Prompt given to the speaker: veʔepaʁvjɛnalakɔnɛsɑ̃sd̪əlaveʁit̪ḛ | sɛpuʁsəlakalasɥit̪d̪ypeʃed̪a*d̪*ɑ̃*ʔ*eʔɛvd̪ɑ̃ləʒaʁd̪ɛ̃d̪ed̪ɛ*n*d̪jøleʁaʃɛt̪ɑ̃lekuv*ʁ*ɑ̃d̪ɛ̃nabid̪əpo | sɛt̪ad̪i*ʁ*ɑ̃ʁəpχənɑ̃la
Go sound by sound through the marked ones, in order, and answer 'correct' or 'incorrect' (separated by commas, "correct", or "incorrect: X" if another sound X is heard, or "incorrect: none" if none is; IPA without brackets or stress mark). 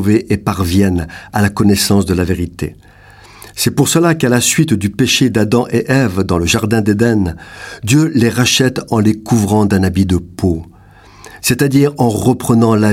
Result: correct, correct, correct, correct, correct